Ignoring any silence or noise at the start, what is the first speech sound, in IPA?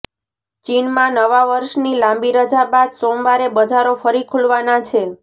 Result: t͡ʃ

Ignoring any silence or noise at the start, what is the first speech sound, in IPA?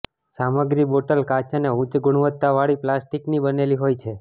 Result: s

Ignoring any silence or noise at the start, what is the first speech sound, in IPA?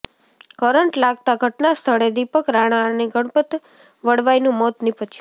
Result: k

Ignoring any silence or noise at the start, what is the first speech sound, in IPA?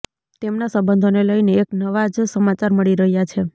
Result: t̪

